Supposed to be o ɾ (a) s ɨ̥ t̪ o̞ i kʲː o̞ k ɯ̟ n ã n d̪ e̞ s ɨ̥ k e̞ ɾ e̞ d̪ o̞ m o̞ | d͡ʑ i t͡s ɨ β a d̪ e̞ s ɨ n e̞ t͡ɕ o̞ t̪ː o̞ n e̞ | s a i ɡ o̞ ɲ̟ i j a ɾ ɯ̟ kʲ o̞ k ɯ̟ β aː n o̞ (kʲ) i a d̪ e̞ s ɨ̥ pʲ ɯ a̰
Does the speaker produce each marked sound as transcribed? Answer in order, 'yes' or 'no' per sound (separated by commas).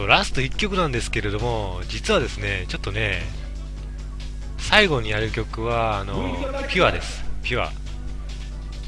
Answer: yes, no